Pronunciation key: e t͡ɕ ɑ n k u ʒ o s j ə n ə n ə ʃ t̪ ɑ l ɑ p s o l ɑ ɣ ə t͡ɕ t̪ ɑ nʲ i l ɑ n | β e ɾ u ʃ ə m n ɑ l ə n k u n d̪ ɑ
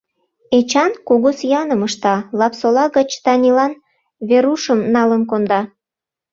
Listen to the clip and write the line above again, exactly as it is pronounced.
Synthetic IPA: e t͡ɕ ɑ n k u ɣ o s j ɑ n ə m ə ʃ t̪ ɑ l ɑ p s o l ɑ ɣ ə t͡ɕ t̪ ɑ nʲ i l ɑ n | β e ɾ u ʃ ə m n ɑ l ə n k o n d̪ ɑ